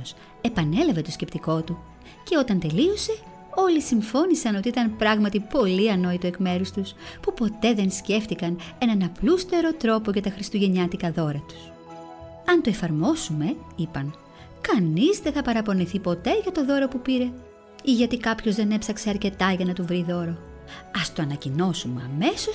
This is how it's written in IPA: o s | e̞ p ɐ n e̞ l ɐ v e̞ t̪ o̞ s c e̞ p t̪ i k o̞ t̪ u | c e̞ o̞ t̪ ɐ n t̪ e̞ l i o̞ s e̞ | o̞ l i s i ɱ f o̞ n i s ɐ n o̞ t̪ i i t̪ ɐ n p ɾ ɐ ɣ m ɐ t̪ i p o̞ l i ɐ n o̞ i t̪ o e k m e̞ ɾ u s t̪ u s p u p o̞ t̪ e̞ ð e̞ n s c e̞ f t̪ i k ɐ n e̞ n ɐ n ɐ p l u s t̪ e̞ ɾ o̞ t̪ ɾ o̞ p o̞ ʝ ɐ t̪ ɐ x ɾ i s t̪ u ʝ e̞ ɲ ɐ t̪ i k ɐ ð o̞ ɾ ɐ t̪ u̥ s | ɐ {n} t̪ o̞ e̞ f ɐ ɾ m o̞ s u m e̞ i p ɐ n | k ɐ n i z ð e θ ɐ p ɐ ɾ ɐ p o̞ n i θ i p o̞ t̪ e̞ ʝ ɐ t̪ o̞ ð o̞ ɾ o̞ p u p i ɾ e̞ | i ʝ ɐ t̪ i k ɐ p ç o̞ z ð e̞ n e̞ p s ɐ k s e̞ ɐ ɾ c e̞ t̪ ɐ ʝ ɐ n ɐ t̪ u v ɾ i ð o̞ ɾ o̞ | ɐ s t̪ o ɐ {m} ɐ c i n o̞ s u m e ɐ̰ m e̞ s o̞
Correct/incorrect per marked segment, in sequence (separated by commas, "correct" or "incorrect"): correct, incorrect